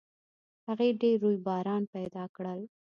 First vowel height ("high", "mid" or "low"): low